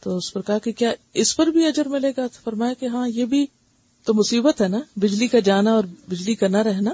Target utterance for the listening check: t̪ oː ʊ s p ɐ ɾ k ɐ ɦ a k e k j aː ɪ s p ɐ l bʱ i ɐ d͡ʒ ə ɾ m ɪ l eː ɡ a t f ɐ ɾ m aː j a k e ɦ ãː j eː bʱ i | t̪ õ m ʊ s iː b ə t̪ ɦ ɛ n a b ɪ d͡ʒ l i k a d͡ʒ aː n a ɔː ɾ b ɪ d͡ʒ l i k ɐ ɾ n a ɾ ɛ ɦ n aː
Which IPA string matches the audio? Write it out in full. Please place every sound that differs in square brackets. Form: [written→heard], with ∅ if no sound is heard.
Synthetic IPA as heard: t̪ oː ʊ s p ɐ ɾ k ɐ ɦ a k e k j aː ɪ s p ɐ [l→ɾ] bʱ i ɐ d͡ʒ ə ɾ m ɪ l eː ɡ a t f ɐ ɾ m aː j a k e ɦ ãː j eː bʱ i | t̪ [õ→o] m ʊ s iː b ə t̪ ɦ ɛ n a b ɪ d͡ʒ l i k a d͡ʒ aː n a ɔː ɾ b ɪ d͡ʒ l i k ɐ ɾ n a ɾ ɛ ɦ n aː